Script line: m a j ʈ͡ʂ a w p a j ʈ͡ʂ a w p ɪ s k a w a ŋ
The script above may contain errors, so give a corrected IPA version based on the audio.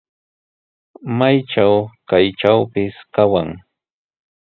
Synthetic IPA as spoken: m a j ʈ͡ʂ a w k a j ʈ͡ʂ a w p ɪ s k a w a ŋ